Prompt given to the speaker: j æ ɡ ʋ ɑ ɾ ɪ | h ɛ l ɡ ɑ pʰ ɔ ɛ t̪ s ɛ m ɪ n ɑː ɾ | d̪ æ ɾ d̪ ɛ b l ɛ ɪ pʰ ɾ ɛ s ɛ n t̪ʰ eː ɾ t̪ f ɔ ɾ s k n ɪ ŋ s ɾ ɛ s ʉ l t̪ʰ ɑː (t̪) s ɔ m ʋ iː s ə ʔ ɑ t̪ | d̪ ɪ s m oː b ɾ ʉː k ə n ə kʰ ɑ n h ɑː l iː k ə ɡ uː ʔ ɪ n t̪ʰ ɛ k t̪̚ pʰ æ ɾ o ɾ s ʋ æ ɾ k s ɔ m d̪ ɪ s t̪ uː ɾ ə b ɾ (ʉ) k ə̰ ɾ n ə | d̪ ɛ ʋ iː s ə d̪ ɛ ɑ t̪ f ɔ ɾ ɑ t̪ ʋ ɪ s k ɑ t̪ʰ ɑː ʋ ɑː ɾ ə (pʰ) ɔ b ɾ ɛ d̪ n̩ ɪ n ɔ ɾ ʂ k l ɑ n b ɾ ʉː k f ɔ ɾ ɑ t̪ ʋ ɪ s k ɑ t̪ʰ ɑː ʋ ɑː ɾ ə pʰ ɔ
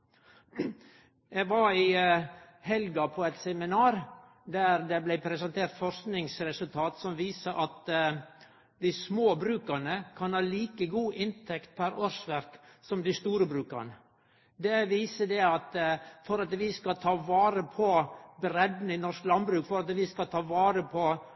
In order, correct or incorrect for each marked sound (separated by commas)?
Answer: correct, incorrect, correct